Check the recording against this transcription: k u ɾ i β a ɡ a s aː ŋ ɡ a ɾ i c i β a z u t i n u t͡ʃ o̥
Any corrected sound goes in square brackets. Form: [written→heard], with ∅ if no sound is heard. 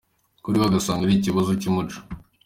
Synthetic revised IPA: k u ɾ i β a ɡ a s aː ŋ ɡ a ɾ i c i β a z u [t→c] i [n→m] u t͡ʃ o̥